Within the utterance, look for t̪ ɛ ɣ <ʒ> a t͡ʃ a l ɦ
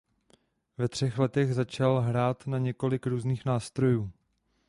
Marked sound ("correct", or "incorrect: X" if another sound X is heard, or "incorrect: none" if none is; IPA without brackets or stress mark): incorrect: z